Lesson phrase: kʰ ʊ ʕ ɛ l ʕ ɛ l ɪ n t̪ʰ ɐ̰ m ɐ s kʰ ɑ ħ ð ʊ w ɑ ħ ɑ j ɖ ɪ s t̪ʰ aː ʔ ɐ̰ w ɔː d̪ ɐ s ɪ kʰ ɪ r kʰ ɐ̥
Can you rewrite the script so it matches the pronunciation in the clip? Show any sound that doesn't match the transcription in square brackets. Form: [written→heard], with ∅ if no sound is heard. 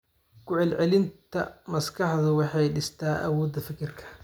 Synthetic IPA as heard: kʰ ʊ ʕ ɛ l ʕ ɛ l ɪ n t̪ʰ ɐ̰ m ɐ s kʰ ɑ ħ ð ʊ w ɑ ħ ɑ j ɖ ɪ s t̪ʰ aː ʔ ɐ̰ w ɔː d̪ ɐ [s→f] ɪ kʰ ɪ r kʰ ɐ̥